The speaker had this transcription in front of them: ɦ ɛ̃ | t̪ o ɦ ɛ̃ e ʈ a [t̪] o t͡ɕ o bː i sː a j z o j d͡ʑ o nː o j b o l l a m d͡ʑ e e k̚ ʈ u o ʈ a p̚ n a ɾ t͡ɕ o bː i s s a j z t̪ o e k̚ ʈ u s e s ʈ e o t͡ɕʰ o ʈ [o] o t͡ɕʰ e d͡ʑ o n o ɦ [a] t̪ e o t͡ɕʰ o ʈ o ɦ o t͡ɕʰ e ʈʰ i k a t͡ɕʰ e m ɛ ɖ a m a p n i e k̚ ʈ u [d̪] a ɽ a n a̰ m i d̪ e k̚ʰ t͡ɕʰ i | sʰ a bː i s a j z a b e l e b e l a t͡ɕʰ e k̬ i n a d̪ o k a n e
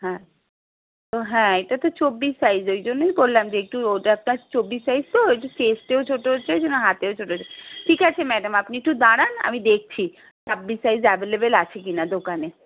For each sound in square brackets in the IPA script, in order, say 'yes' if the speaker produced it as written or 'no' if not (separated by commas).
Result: yes, yes, yes, yes